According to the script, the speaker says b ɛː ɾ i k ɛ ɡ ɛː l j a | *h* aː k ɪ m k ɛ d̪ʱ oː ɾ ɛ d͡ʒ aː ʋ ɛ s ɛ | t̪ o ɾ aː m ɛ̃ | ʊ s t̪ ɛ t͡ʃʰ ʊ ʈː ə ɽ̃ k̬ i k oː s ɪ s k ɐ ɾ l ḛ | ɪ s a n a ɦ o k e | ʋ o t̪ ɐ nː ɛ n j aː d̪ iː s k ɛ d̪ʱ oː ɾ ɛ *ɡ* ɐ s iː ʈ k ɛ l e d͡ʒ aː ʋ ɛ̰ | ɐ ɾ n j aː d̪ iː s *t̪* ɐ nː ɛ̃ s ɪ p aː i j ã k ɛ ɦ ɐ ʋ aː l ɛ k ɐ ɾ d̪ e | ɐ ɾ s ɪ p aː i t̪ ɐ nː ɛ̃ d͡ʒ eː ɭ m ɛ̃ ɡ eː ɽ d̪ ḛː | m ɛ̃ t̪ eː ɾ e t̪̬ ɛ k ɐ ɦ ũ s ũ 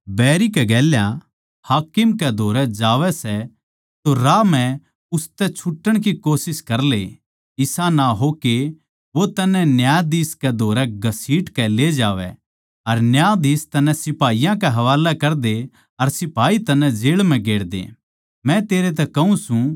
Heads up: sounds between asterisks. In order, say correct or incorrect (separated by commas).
correct, correct, correct